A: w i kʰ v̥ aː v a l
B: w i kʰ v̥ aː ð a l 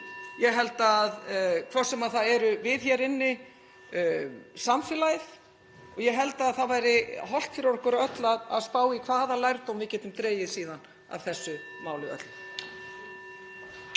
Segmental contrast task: B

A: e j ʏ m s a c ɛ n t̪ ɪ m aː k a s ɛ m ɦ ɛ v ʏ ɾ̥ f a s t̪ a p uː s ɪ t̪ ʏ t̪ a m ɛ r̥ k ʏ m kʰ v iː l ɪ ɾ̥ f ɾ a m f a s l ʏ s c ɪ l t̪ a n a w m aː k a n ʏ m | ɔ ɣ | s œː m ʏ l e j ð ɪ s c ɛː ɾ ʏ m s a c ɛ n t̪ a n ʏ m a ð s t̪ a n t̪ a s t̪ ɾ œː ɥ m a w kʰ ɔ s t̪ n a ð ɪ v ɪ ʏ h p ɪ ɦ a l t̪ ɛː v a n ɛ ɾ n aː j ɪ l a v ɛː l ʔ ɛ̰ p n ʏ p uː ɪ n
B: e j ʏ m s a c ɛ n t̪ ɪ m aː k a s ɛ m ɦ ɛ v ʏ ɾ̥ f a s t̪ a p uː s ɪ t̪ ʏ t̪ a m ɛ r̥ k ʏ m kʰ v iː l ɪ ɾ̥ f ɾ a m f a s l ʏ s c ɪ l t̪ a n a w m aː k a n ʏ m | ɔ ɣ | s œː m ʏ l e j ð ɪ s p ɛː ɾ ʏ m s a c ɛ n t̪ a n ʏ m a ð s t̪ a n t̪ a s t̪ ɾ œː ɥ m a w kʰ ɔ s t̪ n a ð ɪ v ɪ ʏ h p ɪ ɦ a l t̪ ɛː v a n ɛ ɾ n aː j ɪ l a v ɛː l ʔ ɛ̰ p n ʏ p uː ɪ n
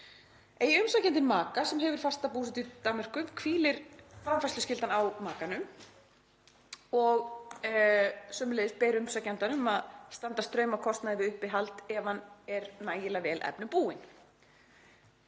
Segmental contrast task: B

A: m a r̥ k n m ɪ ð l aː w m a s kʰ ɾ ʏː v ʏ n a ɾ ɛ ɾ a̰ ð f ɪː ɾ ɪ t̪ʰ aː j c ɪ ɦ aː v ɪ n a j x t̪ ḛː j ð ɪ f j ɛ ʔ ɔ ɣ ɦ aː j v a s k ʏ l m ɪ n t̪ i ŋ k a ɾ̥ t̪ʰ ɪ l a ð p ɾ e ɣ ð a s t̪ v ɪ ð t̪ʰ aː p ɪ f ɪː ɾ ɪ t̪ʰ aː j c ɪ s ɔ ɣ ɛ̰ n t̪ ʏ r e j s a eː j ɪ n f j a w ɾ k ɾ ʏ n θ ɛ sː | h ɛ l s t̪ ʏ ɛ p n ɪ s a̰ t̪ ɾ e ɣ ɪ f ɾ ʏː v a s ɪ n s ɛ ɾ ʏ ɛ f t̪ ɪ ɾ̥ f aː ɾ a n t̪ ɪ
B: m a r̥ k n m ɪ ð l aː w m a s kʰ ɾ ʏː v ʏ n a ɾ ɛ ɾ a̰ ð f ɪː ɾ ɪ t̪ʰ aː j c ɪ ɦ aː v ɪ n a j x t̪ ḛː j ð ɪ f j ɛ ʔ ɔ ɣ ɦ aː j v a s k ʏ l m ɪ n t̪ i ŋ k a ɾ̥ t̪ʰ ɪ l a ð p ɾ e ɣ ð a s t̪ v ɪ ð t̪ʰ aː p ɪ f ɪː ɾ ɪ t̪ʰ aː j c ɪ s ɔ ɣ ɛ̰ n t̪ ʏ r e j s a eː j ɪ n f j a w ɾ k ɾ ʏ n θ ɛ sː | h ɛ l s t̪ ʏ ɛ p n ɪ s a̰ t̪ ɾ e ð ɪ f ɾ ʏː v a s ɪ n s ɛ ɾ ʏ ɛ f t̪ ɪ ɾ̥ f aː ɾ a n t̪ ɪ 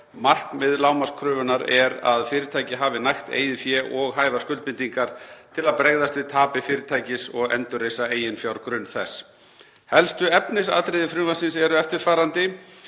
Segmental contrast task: B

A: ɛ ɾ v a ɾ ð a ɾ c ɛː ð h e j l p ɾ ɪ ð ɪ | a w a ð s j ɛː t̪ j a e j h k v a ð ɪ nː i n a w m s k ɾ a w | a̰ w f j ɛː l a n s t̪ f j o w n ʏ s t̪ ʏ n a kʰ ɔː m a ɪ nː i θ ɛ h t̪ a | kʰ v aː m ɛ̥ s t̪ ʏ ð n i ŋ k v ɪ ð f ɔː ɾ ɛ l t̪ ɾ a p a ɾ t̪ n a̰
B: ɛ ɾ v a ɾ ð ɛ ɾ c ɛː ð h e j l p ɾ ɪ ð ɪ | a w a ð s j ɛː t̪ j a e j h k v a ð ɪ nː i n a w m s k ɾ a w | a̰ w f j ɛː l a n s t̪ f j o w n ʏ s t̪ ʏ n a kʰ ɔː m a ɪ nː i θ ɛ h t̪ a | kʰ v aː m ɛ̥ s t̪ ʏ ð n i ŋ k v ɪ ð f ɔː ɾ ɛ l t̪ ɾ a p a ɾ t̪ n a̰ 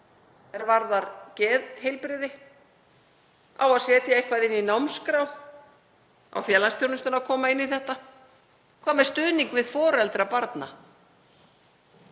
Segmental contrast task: A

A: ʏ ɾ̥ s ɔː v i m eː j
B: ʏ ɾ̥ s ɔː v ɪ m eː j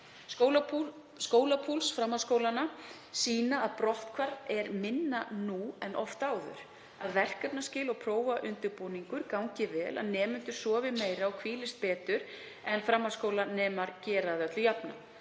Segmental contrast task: B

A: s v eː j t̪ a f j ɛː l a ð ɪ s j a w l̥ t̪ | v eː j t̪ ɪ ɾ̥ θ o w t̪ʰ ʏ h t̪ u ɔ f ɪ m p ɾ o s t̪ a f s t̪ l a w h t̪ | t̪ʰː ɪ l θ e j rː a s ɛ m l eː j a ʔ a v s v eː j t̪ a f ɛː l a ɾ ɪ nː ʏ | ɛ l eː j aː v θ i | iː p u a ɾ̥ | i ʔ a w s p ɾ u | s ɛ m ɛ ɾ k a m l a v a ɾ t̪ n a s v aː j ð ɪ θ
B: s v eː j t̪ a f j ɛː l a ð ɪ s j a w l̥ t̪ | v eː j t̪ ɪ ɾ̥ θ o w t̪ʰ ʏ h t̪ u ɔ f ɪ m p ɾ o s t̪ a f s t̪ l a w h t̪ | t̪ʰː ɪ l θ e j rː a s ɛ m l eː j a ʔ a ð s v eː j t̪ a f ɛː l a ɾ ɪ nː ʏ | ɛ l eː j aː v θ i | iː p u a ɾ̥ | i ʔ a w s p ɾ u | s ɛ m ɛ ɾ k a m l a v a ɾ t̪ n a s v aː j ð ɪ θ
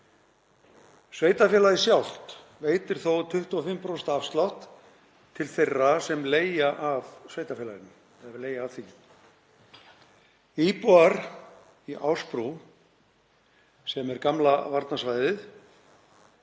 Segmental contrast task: A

